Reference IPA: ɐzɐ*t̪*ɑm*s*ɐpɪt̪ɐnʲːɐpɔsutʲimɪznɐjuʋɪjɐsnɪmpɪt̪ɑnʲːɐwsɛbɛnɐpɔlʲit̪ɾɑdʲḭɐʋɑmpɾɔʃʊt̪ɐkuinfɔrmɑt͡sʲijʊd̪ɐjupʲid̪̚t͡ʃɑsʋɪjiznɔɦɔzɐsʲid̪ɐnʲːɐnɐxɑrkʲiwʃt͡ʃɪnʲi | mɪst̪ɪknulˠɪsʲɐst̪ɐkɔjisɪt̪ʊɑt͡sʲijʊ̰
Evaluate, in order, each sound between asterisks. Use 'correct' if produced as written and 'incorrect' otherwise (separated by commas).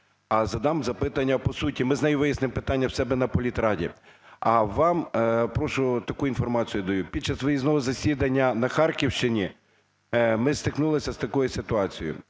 incorrect, incorrect